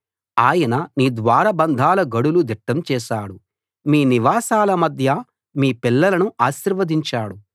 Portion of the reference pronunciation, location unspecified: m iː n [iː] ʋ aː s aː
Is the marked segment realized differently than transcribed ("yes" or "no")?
yes